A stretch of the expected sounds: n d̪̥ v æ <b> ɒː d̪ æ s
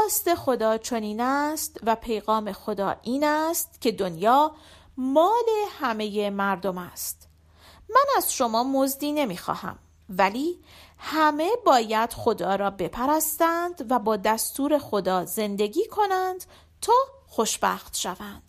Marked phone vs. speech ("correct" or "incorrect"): correct